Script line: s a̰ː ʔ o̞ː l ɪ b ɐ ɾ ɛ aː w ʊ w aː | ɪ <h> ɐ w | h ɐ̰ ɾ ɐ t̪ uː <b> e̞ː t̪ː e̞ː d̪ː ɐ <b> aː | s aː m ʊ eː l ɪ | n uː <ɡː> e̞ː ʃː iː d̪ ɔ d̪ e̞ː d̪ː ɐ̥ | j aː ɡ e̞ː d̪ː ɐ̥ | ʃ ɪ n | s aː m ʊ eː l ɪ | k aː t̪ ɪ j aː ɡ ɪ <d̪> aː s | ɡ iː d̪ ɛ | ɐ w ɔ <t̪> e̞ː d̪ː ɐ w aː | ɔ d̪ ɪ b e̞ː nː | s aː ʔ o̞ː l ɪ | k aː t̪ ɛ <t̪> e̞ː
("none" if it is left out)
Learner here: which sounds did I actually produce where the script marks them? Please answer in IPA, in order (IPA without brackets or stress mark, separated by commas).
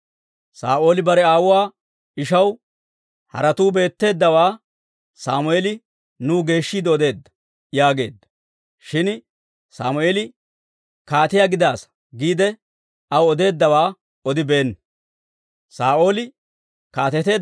ʃ, b, w, ɡ, d̪, d̪, t̪